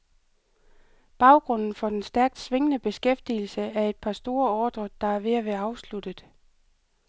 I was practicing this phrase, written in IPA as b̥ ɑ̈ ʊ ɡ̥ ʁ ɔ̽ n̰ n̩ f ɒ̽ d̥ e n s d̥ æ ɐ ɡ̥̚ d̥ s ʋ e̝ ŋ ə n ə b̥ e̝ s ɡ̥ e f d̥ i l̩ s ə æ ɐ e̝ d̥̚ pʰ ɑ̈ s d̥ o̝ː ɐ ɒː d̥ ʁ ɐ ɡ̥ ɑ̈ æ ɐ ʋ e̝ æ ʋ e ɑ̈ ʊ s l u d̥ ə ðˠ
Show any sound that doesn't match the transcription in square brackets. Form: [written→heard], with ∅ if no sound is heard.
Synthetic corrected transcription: b̥ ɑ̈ ʊ ɡ̥ ʁ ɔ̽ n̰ n̩ f ɒ̽ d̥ e n s d̥ æ ɐ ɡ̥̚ d̥ s ʋ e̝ ŋ ə n ə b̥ e̝ s ɡ̥ e f d̥ i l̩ s ə æ ɐ e̝ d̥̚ pʰ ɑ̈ s d̥ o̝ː ɐ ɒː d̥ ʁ ɐ [ɡ̥→d̥] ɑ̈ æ ɐ ʋ e̝ æ ʋ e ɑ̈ ʊ s l u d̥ ə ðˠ